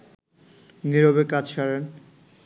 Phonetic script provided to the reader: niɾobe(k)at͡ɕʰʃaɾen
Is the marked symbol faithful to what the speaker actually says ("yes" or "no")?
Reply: yes